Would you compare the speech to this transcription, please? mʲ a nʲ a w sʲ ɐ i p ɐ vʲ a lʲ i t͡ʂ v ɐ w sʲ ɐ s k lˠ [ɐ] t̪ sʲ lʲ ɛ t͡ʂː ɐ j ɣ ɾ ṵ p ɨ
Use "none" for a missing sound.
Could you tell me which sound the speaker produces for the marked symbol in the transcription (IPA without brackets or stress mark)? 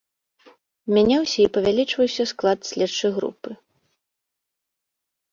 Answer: a